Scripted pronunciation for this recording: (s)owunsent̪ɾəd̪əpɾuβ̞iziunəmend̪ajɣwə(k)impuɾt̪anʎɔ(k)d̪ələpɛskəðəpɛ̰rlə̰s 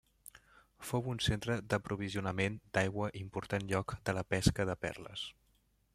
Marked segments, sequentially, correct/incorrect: incorrect: f, incorrect: ʔ, correct

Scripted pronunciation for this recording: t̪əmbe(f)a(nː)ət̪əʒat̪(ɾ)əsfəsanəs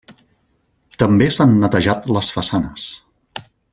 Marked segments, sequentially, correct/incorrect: incorrect: s, correct, incorrect: l

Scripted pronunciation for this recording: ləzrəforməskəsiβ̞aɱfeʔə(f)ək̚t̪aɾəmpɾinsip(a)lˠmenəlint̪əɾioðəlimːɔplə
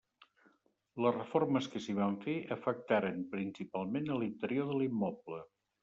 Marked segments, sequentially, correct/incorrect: correct, correct

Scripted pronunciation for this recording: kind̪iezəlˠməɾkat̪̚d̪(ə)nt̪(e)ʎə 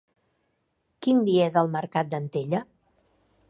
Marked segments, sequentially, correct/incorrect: correct, correct

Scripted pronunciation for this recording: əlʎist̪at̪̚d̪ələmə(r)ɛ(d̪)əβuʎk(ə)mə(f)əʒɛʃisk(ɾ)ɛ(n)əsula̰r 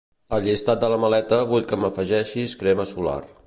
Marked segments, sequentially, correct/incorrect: incorrect: l, incorrect: t̪, correct, correct, correct, incorrect: m

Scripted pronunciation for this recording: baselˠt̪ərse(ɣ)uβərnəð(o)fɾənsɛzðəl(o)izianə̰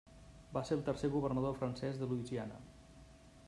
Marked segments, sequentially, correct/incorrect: correct, correct, incorrect: u

